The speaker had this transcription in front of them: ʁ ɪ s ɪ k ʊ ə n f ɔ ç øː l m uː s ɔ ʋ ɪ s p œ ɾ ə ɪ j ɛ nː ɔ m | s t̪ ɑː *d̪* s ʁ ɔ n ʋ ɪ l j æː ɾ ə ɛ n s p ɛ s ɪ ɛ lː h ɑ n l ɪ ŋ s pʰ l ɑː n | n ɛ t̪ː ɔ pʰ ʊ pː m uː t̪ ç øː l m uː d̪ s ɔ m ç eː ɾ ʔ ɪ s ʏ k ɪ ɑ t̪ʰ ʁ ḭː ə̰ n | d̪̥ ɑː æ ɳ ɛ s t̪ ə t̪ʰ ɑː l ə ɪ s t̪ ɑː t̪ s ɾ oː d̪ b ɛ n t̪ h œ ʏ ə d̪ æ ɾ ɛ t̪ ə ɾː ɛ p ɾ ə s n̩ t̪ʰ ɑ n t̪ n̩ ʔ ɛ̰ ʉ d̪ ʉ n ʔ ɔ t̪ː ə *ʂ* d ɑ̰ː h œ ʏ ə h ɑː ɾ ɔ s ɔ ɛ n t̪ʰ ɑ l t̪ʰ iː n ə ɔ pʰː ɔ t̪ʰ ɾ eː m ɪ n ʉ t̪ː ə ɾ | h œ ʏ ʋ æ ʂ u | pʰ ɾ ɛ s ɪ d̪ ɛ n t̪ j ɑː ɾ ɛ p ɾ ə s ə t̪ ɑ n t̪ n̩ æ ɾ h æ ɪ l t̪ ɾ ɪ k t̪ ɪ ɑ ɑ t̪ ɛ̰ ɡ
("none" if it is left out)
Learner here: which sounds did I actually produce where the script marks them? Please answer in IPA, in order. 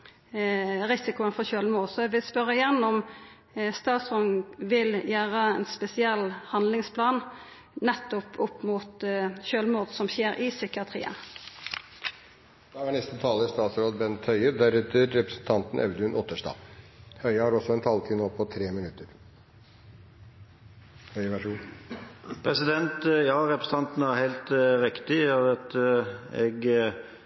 t̪, ʂ

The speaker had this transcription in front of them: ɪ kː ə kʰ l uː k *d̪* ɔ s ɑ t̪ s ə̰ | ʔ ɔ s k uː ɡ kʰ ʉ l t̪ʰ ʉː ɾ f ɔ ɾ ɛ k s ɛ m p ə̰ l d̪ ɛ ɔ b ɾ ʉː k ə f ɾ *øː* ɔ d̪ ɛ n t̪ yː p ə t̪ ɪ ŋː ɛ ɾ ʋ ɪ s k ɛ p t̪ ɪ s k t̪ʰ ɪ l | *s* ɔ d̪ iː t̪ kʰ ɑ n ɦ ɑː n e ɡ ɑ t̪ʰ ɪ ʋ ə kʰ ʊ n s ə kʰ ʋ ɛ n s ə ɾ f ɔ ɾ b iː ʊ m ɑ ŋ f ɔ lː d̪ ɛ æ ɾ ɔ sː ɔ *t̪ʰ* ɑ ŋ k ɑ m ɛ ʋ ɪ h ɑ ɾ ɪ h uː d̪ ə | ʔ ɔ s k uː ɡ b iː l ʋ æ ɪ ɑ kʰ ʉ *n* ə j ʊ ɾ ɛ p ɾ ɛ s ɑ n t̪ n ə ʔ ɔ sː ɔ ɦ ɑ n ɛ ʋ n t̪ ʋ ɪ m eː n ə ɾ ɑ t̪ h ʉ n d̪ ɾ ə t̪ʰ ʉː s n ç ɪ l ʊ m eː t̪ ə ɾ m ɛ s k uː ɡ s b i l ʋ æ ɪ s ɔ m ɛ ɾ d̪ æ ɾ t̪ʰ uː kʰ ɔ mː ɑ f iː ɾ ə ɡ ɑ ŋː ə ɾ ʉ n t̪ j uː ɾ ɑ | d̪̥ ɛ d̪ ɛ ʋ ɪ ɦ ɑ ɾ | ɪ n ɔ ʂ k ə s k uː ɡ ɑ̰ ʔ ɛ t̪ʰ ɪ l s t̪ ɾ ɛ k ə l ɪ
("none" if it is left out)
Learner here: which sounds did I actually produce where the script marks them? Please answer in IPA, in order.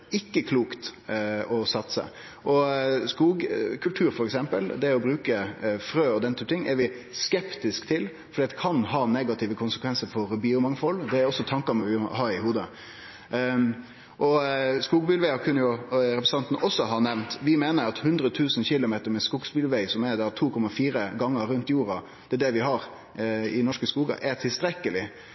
t̪, øː, f, t̪ʰ, nː

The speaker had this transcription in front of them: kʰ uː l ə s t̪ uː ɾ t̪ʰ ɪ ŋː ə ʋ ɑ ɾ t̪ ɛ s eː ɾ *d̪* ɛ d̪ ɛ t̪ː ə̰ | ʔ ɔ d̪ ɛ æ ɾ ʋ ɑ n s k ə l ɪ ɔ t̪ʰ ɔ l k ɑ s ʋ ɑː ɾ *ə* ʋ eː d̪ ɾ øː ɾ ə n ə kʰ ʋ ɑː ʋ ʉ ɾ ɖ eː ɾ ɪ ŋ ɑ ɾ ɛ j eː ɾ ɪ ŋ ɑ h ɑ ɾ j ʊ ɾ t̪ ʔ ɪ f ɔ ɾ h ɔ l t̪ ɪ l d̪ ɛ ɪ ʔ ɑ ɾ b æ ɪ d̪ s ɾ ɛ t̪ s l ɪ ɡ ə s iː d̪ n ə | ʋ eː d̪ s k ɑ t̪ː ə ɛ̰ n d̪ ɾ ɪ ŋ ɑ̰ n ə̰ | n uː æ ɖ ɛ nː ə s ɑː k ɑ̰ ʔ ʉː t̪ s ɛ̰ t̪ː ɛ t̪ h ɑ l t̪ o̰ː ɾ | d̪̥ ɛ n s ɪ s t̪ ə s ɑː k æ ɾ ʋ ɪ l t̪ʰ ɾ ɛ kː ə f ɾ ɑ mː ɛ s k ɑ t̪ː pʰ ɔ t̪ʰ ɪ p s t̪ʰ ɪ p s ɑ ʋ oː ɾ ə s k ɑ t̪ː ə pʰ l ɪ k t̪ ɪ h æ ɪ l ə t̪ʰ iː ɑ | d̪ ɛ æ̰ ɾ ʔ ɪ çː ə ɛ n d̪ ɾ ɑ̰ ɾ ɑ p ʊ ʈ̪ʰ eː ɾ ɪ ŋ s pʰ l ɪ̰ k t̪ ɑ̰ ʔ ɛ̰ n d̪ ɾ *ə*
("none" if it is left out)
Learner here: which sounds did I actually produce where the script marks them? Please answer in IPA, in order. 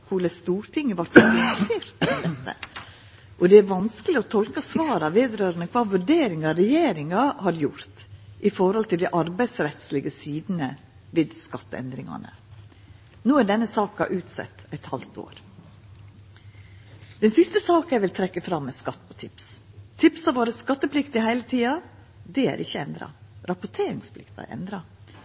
t̪, ɑ, ɑ

